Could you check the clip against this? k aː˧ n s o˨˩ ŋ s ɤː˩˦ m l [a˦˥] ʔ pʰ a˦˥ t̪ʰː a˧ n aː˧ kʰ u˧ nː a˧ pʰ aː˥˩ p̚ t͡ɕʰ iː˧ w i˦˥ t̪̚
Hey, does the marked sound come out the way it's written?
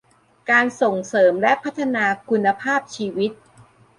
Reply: no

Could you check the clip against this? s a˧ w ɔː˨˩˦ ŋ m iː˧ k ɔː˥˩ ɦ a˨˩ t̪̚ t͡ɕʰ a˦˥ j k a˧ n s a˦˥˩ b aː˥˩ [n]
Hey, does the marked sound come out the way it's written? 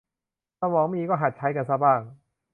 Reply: no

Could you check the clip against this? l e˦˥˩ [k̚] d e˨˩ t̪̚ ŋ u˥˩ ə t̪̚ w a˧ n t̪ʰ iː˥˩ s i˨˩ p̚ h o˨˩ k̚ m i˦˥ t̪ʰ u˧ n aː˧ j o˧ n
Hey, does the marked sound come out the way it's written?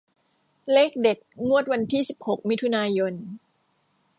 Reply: yes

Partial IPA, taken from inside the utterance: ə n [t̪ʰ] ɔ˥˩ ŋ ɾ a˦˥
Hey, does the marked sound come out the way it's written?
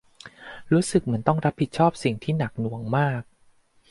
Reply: no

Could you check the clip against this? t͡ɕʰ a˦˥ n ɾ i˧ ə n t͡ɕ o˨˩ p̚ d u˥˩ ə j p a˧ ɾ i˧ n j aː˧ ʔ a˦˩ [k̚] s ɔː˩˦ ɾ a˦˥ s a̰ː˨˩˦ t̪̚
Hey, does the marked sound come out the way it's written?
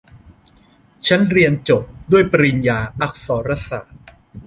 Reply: yes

